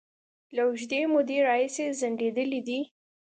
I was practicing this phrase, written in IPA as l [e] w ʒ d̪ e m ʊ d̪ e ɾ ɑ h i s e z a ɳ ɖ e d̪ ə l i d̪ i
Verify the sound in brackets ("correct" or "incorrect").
incorrect